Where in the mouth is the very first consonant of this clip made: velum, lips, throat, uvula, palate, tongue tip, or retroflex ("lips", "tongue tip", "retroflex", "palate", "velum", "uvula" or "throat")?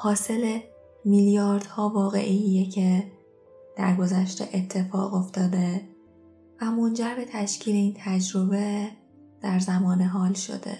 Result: throat